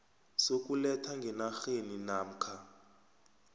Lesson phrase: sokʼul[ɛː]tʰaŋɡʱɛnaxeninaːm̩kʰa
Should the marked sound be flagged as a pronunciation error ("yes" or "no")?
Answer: yes